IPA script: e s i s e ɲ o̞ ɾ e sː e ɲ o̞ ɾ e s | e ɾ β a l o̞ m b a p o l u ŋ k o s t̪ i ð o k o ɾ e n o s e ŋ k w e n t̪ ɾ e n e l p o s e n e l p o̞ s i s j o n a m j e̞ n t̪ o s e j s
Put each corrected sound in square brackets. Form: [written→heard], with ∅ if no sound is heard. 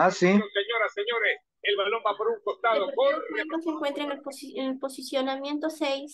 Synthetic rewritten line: [e→a] s i s e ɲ o̞ ɾ [e→a] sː e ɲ o̞ ɾ e s | e [ɾ→l] β a l o̞ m b a p o [l→ɾ] u ŋ k o s t̪ [i→a] ð o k o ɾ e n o s e ŋ k w e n t̪ ɾ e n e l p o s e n e l p o̞ s i s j o n a m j e̞ n t̪ o s e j s